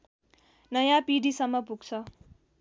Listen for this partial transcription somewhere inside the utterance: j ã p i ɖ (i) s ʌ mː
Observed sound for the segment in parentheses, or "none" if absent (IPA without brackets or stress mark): i